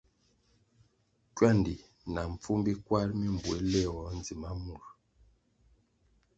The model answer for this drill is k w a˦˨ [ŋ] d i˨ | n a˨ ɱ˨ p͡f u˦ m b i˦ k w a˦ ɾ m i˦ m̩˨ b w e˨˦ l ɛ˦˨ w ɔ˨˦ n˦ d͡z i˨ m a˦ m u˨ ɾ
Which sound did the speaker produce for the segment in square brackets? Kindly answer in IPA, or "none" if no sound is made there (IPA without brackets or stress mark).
n